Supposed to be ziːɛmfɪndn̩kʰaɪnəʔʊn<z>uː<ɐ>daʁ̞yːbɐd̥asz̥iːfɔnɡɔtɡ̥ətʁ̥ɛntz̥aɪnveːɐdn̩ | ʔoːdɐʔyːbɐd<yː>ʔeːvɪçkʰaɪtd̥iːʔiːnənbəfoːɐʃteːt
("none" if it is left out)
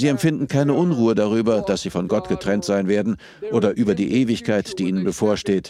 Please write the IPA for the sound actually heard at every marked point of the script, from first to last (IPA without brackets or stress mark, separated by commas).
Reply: ʁ, ə, iː